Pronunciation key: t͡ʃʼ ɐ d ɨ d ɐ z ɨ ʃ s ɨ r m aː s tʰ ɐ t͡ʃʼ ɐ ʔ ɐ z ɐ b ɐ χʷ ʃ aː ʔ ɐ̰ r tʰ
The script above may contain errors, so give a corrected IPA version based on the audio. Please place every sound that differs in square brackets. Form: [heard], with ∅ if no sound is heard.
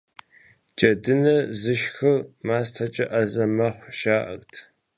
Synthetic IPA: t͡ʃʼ ɐ d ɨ [n] ɐ z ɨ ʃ [x] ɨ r m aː s tʰ ɐ t͡ʃʼ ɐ ʔ ɐ z ɐ [m] ɐ χʷ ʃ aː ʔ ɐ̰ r tʰ